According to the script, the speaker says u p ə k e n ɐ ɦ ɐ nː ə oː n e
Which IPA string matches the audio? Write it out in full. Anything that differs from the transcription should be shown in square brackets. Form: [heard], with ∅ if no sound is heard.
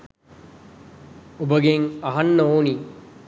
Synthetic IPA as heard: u [b] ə [ɡ] e [ŋ] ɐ ɦ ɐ nː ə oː n [i]